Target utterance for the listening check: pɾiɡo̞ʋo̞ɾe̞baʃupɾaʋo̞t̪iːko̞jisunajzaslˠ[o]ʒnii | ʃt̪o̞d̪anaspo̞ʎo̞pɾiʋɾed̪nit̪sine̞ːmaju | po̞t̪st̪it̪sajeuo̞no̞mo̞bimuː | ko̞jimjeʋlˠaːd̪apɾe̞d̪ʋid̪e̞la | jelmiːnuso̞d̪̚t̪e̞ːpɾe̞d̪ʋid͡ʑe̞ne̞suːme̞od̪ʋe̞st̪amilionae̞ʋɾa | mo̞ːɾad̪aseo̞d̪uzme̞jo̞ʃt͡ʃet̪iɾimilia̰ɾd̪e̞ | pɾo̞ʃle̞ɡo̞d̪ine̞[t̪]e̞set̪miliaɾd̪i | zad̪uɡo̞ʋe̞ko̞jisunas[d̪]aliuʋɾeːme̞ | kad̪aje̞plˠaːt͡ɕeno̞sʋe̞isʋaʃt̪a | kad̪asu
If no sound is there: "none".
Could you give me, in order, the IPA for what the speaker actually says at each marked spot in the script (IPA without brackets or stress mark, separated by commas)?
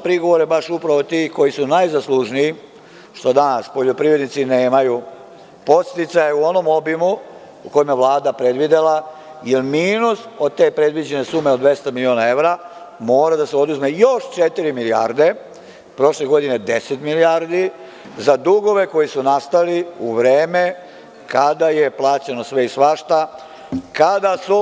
u, d̪, t̪